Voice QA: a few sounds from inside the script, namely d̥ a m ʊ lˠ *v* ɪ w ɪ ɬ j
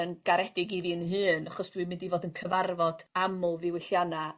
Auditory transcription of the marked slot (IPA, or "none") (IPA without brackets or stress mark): v